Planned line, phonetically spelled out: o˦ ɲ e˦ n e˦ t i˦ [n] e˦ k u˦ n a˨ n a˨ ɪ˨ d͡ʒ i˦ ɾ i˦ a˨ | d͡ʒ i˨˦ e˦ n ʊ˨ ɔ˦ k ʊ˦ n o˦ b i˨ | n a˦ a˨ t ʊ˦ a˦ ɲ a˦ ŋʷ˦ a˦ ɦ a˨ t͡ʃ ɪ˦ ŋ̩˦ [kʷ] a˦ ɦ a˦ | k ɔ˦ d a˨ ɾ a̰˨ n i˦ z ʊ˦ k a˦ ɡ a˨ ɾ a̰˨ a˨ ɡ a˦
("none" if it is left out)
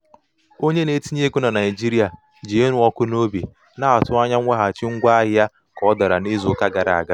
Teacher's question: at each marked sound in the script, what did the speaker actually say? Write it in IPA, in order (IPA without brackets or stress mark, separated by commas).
ɲ, ɡʷ